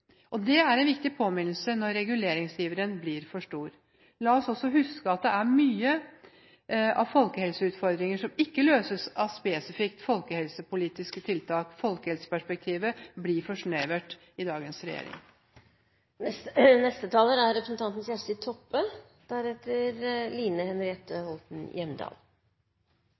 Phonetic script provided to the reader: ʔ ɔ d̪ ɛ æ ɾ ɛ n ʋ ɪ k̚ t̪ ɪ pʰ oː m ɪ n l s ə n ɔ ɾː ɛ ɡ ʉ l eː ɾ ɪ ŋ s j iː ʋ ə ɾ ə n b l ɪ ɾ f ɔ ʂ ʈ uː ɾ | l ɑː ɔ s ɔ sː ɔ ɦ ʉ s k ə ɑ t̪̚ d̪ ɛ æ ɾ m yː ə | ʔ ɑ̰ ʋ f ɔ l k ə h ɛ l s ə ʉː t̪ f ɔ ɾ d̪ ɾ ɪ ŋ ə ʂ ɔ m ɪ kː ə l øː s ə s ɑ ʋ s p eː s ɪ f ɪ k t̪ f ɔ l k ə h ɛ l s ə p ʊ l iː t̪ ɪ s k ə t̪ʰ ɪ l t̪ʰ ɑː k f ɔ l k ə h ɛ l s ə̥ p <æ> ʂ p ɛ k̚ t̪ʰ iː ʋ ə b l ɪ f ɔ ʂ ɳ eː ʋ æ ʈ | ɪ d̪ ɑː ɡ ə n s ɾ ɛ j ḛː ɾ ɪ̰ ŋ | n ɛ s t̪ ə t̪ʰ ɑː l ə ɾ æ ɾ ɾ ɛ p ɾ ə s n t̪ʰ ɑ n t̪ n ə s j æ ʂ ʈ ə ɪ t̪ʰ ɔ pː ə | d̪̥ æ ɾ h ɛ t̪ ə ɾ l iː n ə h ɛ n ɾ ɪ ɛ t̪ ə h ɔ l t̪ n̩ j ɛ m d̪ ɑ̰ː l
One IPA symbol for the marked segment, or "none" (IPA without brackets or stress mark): æ